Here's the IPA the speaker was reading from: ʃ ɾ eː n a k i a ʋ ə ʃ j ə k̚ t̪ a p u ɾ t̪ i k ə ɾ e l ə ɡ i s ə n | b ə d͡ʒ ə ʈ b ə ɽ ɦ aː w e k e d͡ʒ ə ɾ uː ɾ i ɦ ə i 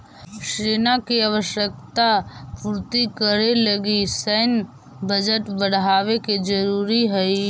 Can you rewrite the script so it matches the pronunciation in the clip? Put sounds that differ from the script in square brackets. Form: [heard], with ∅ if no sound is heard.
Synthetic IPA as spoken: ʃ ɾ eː n a k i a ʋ ə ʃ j ə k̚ t̪ a p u ɾ t̪ i k ə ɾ e l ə ɡ i s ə n | b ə d͡ʒ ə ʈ b ə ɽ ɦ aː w e k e d͡ʒ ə ɾ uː ɾ i ɦ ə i